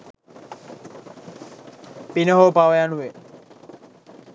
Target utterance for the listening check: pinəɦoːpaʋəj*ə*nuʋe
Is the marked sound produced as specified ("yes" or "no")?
no